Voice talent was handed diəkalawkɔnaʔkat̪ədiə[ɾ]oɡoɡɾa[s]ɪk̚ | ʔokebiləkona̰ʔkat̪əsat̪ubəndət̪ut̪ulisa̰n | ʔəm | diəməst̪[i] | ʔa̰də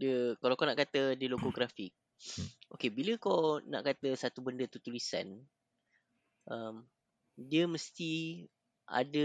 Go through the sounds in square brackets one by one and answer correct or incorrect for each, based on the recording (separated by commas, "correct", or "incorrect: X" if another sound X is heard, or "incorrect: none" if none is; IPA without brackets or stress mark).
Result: incorrect: l, incorrect: f, correct